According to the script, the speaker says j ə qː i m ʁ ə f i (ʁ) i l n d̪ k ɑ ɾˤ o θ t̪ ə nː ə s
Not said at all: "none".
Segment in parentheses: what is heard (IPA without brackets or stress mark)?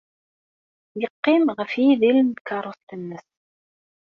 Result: ð